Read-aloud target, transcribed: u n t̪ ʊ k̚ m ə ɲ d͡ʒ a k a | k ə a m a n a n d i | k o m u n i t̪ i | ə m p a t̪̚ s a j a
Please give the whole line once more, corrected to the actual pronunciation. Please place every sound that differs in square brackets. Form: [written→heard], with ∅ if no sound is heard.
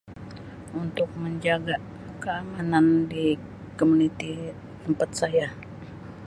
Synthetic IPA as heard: u n t̪ ʊ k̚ m ə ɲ d͡ʒ a [k→ɡ] a | k ə a m a n a n d i | k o m u n i t̪ i | ə m p a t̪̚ s a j a